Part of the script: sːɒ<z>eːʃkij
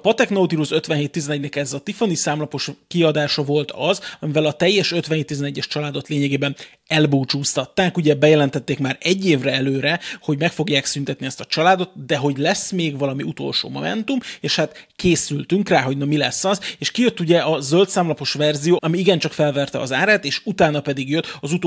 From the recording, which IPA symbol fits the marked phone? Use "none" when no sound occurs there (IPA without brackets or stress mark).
z